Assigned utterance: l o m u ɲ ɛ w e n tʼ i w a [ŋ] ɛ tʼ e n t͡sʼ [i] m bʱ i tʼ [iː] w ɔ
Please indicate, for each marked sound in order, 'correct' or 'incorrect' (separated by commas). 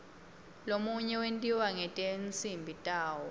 correct, correct, incorrect